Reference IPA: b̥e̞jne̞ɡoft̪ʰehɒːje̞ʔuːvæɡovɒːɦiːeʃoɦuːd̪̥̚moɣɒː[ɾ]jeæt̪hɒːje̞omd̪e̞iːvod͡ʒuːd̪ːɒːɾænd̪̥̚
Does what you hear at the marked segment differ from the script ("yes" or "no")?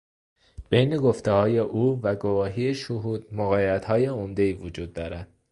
yes